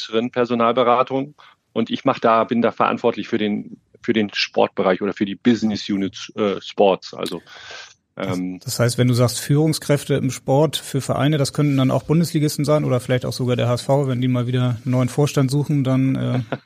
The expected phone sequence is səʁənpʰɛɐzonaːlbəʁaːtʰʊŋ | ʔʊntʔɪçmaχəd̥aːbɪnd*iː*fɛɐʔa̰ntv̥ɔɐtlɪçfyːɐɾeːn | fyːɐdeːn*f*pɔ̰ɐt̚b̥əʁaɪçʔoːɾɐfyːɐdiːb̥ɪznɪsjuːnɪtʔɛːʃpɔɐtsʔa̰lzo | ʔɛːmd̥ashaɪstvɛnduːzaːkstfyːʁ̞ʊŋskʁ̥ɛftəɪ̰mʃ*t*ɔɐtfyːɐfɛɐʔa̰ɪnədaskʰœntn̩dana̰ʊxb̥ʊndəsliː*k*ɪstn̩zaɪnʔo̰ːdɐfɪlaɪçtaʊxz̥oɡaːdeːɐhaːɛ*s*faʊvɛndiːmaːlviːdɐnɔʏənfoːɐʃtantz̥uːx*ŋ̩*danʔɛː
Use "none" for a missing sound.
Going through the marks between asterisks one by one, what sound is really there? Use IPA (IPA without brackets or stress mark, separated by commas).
aː, ʃ, p, ɡ, s, n̩